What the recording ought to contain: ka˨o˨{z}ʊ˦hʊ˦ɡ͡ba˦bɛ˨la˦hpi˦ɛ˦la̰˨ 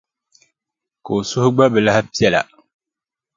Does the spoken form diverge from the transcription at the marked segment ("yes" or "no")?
yes